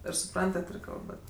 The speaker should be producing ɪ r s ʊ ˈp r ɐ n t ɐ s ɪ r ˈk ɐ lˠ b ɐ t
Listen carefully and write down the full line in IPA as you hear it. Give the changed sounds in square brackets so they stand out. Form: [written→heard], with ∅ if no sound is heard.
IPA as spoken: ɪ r s ʊ ˈp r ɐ n t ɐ [s→t] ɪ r ˈk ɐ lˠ b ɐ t